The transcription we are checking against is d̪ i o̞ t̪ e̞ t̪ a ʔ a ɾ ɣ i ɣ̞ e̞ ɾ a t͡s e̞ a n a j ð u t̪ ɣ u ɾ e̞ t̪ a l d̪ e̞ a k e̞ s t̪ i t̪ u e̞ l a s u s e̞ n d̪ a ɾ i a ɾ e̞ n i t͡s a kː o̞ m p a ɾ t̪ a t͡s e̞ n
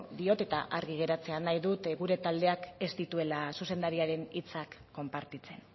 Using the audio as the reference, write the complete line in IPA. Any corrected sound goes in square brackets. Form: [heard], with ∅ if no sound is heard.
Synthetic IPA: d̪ i o̞ t̪ e̞ t̪ a ʔ a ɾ ɣ i ɣ̞ e̞ ɾ a t͡s e̞ a n a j ð u t̪ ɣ u ɾ e̞ t̪ a l d̪ e̞ a k e̞ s t̪ i t̪ u e̞ l a s u s e̞ n d̪ a ɾ i a ɾ e̞ n i t͡s a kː o̞ m p a ɾ t̪ [i] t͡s e̞ n

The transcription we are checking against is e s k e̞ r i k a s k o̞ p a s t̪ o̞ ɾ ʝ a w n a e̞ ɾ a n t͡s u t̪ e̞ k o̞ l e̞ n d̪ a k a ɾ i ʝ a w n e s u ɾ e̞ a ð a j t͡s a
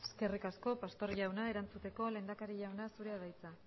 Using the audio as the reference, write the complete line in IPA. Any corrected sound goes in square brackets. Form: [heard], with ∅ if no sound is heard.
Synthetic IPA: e s k e̞ r i k a s k o̞ p a s t̪ o̞ ɾ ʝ a w n a e̞ ɾ a n t͡s u t̪ e̞ k o̞ l e̞ n d̪ a k a ɾ i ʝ a w n [a] s u ɾ e̞ a ð a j t͡s a

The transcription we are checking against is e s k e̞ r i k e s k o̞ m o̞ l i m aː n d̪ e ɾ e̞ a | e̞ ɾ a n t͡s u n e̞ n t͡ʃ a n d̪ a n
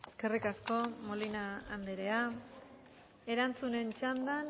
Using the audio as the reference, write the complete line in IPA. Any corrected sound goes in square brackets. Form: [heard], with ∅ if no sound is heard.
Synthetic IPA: e s k e̞ r i k [a] s k o̞ m o̞ l i [n] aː n d̪ e ɾ e̞ a | e̞ ɾ a n t͡s u n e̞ n t͡ʃ a n d̪ a n

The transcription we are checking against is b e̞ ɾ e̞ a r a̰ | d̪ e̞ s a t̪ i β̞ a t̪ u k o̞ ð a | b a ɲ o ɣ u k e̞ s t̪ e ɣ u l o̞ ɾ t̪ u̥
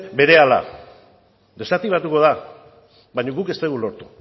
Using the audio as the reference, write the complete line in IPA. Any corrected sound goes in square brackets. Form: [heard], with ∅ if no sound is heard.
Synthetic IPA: b e̞ ɾ e̞ a [l] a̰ | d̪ e̞ s a t̪ i β̞ a t̪ u k o̞ ð a | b a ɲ o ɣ u k e̞ s t̪ e ɣ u l o̞ ɾ t̪ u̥

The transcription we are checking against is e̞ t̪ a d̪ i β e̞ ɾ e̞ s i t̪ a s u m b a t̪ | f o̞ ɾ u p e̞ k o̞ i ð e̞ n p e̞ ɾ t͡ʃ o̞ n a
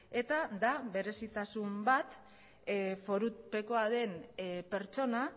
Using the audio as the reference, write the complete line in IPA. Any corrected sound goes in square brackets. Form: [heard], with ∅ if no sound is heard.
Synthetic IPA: e̞ t̪ a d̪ [a] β e̞ ɾ e̞ s i t̪ a s u m b a t̪ | f o̞ ɾ u p e̞ k o̞ [a] ð e̞ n p e̞ ɾ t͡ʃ o̞ n a

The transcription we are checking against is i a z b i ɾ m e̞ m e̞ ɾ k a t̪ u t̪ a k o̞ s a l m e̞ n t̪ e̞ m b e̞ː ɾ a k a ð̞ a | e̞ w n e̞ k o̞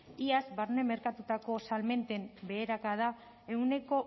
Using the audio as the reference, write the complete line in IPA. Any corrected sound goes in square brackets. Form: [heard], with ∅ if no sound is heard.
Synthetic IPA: i a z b [a] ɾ [n] e̞ m e̞ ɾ k a t̪ u t̪ a k o̞ s a l m e̞ n t̪ e̞ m b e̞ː ɾ a k a ð̞ a | e̞ w n e̞ k o̞

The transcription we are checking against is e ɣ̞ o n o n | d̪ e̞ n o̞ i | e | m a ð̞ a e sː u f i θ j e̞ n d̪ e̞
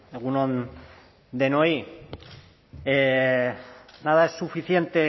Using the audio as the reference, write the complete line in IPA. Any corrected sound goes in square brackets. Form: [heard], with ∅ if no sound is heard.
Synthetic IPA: e ɣ̞ [u] n o n | d̪ e̞ n o̞ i | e | [n] a ð̞ a e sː u f i θ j e̞ n [t̪] e̞

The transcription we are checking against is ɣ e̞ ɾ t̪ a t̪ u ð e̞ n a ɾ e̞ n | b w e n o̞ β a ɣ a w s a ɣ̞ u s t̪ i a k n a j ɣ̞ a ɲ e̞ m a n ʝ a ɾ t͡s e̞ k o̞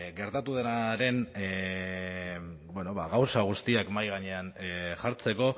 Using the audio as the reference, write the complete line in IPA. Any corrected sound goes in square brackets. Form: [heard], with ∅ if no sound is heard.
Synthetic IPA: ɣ e̞ ɾ t̪ a t̪ u ð e̞ n a ɾ e̞ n | b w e n o̞ β a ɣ a w s a ɣ̞ u s t̪ i a k [m] a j ɣ̞ a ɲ e̞ [∅] a n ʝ a ɾ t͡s e̞ k o̞

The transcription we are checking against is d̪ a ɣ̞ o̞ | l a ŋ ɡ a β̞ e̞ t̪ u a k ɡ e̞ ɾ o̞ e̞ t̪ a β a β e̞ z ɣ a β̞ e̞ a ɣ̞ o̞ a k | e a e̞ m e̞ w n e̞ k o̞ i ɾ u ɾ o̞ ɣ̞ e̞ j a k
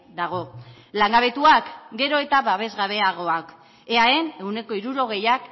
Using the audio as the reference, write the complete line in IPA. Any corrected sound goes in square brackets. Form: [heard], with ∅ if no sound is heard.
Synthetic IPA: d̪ a ɣ̞ o̞ | l a ŋ ɡ a β̞ e̞ t̪ u a k ɡ e̞ ɾ o̞ e̞ t̪ a β a β e̞ z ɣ a β̞ e̞ a ɣ̞ o̞ a k | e a e̞ [n] e̞ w n e̞ k o̞ i ɾ u ɾ o̞ ɣ̞ e̞ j a k

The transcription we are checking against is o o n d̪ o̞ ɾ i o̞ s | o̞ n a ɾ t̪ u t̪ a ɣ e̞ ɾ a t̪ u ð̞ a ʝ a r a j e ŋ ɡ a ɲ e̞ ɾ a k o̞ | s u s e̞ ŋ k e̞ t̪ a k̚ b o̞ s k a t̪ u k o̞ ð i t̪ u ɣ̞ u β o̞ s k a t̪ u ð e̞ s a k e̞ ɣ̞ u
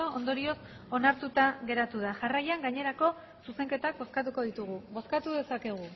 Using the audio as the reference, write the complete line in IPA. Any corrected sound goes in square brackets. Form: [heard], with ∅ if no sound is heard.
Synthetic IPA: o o n d̪ o̞ ɾ i o̞ s | o̞ n a ɾ t̪ u t̪ a ɣ e̞ ɾ a t̪ u ð̞ a ʝ a r a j [a] ŋ ɡ a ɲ e̞ ɾ a k o̞ | s u s e̞ ŋ k e̞ t̪ a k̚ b o̞ s k a t̪ u k o̞ ð i t̪ u ɣ̞ u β o̞ s k a t̪ u ð e̞ s a k e̞ ɣ̞ u

